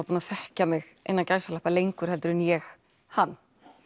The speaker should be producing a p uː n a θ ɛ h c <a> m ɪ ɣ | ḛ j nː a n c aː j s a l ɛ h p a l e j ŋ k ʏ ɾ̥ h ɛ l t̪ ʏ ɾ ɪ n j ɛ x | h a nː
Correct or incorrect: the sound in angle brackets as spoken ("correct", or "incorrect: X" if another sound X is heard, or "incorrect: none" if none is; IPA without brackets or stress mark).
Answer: correct